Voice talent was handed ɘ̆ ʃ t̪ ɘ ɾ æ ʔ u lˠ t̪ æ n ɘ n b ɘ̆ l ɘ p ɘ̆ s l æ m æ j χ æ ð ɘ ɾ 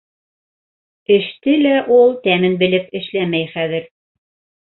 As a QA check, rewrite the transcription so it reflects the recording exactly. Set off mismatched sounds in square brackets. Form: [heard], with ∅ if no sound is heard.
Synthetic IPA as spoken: ɘ̆ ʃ t̪ ɘ [l] æ ʔ u lˠ t̪ æ [m] ɘ n b ɘ̆ l ɘ p ɘ̆ [ʃ] l æ m æ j χ æ ð ɘ ɾ